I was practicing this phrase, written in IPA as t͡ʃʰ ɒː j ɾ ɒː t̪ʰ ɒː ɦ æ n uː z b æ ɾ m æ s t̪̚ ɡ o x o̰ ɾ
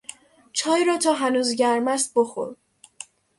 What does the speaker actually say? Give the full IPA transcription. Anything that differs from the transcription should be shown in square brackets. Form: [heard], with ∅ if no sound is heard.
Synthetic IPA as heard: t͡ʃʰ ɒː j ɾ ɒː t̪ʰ ɒː ɦ æ n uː z [ɟ] æ ɾ m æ s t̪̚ [b] o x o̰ ɾ